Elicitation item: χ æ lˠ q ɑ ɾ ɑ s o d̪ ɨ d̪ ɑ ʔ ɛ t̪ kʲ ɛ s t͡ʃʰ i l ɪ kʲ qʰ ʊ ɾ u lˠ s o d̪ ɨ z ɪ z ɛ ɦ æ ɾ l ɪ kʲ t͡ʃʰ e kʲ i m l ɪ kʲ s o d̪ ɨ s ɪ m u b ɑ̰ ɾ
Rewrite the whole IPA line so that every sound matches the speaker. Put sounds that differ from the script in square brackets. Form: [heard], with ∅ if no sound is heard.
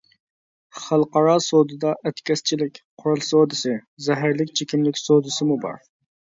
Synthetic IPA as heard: χ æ lˠ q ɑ ɾ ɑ s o d̪ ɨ d̪ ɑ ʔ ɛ t̪ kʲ ɛ s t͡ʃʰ i l ɪ kʲ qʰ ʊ ɾ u lˠ s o d̪ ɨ [s] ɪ z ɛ ɦ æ ɾ l ɪ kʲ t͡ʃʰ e kʲ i m l ɪ kʲ s o d̪ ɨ s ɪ m u b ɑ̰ ɾ